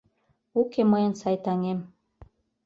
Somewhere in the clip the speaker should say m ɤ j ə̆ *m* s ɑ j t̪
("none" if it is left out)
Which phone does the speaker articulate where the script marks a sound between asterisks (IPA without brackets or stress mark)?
n